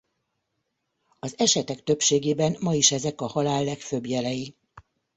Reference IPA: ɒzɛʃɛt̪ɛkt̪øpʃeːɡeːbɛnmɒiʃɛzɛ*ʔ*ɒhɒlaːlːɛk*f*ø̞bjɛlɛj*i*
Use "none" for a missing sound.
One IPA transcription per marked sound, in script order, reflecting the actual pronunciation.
k, f, i

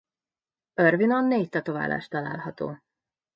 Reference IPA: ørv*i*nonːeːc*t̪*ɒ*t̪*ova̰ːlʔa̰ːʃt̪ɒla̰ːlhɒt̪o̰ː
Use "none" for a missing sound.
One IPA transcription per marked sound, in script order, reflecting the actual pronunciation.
i, t̪, t̪

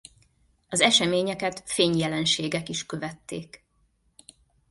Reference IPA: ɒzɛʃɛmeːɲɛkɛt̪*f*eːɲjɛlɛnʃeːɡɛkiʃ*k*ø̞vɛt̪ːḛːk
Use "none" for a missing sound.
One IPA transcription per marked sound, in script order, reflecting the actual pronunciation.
f, k

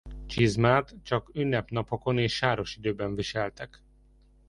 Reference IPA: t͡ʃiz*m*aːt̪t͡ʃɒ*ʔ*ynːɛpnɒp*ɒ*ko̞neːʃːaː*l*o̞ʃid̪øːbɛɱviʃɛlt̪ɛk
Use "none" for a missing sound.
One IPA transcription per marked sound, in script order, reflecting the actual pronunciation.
m, k, o, ɾ

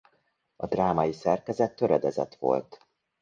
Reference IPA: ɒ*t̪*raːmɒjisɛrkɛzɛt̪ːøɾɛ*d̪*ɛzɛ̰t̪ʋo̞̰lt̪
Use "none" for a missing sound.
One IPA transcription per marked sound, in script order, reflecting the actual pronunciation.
d̪, d̪

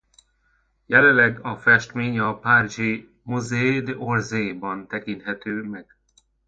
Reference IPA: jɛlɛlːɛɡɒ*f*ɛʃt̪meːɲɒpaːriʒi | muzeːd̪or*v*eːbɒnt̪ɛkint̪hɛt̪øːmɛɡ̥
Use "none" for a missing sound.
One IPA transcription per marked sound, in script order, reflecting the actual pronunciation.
f, z

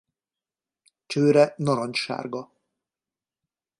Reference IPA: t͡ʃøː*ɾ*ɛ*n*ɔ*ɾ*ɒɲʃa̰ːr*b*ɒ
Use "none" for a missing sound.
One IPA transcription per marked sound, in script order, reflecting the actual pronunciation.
ɾ, n, ɾ, ɡ

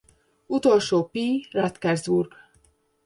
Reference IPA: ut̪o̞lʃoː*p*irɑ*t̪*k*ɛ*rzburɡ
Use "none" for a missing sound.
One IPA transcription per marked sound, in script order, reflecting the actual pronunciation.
p, t̪, ɛ

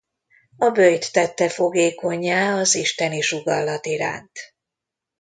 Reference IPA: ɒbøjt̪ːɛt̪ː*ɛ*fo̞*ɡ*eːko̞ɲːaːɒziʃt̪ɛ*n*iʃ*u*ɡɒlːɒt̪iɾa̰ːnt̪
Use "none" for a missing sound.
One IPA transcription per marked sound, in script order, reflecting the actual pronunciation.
ɛ, ɡ, n, u

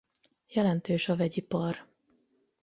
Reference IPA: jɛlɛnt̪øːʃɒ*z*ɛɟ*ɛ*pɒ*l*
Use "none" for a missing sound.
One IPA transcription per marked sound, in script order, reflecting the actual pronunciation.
v, i, r

